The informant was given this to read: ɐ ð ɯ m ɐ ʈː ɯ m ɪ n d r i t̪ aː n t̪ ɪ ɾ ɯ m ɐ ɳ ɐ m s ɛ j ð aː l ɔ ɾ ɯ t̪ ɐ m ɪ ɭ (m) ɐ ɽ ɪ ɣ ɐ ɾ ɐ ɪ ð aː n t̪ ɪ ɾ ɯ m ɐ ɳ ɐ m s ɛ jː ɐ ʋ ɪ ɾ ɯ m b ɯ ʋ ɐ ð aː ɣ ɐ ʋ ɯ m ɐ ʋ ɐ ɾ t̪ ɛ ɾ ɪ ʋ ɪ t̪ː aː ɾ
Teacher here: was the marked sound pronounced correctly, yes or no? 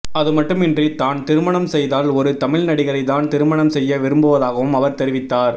no